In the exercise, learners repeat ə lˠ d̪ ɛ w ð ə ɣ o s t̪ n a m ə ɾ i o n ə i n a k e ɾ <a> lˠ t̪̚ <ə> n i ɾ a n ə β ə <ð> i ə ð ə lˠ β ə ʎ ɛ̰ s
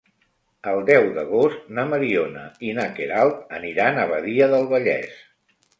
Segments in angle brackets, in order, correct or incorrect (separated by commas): correct, correct, correct